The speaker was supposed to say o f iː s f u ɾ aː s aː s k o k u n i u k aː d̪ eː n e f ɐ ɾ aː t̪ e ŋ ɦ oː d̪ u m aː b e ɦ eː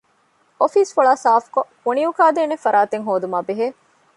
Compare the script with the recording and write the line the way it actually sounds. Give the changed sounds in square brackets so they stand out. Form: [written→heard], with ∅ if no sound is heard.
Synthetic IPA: o f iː s f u [ɾ→ɭ] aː s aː [s→f] k o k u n i u k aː d̪ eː n e f ɐ ɾ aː t̪ e ŋ ɦ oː d̪ u m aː b e ɦ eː